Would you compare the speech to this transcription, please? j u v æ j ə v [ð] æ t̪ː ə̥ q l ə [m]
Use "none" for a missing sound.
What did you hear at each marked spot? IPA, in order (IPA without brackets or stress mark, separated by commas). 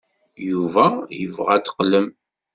ʁ, m